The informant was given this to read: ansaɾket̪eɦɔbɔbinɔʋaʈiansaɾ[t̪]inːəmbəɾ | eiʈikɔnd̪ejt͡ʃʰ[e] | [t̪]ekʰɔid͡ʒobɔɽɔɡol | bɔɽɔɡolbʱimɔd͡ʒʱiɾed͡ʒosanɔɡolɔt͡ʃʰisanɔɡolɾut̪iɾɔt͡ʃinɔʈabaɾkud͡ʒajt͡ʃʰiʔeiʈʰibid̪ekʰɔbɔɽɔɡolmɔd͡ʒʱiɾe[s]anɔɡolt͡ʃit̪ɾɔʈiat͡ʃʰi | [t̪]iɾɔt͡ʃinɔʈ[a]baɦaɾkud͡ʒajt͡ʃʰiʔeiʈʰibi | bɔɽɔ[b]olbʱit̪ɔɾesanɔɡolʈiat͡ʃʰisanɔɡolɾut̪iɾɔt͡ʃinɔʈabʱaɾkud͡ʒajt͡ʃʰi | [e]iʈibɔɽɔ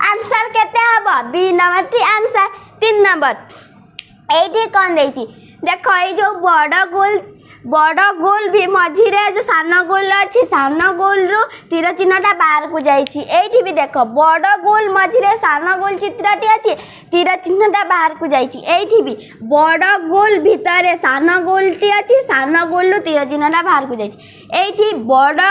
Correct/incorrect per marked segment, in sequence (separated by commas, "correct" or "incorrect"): correct, incorrect, incorrect, correct, correct, correct, incorrect, correct